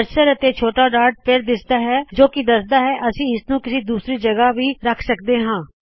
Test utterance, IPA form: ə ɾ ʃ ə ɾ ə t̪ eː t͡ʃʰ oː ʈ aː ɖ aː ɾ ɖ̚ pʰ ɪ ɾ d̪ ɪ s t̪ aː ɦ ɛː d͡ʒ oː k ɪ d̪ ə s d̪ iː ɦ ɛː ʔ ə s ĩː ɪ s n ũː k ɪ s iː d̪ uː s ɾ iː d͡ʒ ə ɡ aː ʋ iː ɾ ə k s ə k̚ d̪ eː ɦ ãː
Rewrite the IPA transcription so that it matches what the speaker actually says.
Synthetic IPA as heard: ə ɾ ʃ ə ɾ ə t̪ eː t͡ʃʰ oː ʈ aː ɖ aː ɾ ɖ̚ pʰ ɪ ɾ d̪ ɪ s d̪ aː ɦ ɛː d͡ʒ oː k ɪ d̪ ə s d̪ aː ɦ ɛː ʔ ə s ĩː ɪ s n ũː k ɪ s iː d̪ uː s ɾ iː d͡ʒ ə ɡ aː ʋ iː ɾ ə kʰ s ə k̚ d̪ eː ɦ ãː